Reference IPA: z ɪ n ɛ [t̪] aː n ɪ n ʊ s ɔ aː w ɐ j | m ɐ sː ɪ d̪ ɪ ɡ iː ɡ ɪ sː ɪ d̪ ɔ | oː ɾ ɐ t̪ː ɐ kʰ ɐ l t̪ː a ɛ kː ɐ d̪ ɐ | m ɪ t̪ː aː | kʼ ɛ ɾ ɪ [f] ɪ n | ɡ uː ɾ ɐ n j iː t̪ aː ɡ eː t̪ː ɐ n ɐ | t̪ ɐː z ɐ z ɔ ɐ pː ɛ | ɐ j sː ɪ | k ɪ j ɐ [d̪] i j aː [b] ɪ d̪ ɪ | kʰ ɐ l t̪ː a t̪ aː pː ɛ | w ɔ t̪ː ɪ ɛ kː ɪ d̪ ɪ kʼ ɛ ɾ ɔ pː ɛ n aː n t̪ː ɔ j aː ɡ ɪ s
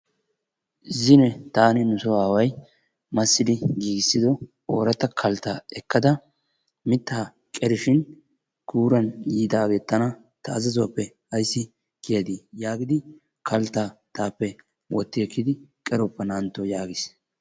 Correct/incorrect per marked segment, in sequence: correct, incorrect: ʃ, correct, incorrect: ɡ

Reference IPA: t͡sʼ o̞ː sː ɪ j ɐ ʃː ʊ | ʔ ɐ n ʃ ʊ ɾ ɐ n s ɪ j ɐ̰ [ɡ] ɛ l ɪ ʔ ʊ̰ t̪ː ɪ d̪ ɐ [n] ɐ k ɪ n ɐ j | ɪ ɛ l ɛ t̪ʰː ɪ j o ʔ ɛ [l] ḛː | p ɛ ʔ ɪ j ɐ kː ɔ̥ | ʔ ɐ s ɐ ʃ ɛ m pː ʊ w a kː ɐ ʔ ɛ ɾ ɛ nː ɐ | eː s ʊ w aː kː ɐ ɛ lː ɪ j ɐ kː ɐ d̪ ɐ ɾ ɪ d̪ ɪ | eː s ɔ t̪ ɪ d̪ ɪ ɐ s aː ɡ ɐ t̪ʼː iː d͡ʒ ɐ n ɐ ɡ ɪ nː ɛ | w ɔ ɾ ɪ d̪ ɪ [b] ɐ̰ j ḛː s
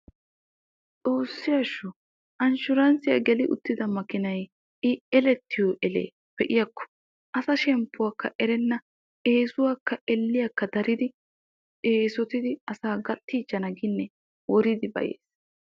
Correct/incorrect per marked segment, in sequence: correct, incorrect: m, correct, correct

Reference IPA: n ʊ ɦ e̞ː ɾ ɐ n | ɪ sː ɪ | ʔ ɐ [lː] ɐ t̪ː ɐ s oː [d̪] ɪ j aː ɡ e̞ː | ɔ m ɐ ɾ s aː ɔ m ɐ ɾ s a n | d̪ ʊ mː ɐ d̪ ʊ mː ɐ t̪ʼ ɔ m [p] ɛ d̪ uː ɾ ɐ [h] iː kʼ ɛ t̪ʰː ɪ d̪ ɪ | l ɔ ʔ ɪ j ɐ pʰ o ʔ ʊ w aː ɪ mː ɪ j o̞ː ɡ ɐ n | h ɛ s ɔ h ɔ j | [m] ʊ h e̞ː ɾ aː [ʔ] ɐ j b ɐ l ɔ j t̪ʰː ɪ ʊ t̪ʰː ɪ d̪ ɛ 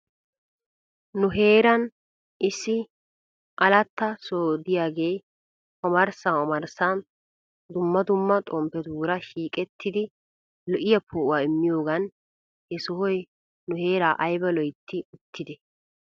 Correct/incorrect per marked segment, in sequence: incorrect: l, correct, correct, incorrect: ʃ, incorrect: n, correct

